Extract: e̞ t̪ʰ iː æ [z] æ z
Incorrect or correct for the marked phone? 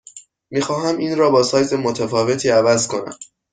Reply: incorrect: v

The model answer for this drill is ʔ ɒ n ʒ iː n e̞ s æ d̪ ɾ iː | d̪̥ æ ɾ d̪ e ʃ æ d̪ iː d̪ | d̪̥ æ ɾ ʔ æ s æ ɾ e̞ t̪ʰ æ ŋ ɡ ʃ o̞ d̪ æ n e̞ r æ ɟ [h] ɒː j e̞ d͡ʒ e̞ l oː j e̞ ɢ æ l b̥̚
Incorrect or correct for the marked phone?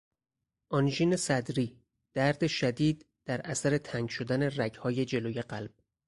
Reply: correct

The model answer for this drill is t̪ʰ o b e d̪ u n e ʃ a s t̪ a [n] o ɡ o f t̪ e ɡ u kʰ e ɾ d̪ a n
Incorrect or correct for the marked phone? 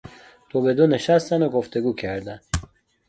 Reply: correct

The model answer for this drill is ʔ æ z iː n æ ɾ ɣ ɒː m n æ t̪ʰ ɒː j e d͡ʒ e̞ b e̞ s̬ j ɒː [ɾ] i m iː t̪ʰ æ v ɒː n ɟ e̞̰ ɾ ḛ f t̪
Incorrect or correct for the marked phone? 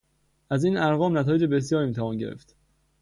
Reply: correct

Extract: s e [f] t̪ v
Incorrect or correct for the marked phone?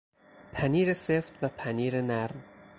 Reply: correct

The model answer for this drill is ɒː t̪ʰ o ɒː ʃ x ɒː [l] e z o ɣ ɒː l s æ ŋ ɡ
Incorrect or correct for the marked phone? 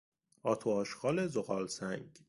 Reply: correct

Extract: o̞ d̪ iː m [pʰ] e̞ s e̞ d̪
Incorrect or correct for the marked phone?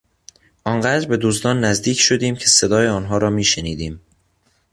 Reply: incorrect: cʰ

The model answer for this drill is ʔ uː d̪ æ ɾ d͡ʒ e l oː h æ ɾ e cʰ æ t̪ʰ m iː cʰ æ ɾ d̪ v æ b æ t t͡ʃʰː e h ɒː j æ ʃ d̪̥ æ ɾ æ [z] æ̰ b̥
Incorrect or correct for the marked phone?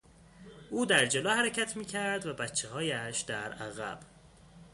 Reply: incorrect: ɣ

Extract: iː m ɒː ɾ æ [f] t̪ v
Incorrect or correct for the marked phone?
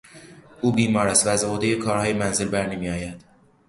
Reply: incorrect: s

